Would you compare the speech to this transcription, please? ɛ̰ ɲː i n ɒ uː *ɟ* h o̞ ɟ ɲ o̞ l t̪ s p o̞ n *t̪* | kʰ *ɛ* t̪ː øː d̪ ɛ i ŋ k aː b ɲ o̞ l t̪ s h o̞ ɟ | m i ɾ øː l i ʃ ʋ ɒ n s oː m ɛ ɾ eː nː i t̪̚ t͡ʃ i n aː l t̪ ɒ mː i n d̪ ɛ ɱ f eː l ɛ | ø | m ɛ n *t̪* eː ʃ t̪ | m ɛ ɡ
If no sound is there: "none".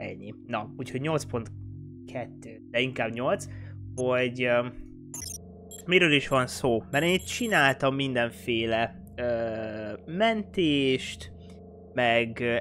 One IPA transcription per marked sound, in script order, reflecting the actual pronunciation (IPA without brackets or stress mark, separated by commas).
c, t̪, ɛ, t̪